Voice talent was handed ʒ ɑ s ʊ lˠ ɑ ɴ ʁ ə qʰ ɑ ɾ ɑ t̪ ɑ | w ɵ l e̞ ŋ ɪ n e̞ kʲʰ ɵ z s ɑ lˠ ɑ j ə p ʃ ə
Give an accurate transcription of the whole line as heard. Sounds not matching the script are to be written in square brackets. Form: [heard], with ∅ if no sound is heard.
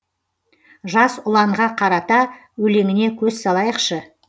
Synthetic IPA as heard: ʒ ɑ s ʊ lˠ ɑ ɴ ʁ [ɑ] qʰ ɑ ɾ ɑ t̪ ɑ | w ɵ l e̞ ŋ ɪ n e̞ kʲʰ ɵ z s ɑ lˠ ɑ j ə [q] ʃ ə